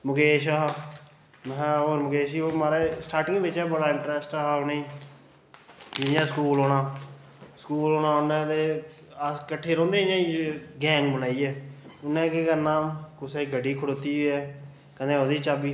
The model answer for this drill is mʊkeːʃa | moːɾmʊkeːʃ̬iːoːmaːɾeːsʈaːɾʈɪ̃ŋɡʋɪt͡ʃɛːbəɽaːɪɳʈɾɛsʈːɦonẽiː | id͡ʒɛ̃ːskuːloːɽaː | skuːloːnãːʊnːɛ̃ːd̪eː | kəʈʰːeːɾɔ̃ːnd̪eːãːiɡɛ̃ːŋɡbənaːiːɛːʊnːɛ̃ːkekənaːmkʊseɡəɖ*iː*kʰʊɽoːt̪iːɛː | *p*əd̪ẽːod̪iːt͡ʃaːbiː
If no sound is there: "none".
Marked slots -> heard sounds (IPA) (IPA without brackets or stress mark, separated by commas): iː, k